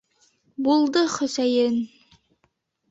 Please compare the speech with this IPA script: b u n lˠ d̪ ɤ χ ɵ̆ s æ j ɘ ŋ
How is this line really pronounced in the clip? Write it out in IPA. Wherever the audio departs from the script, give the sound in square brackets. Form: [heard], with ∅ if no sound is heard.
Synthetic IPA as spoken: b u [∅] lˠ d̪ ɤ χ ɵ̆ s æ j ɘ [n]